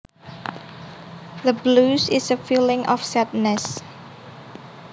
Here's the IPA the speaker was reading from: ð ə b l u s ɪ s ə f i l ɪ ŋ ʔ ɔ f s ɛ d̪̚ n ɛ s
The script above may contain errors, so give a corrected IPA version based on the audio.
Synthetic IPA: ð ə b l u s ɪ s ə f i l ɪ ŋ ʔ ɔ f s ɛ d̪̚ n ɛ s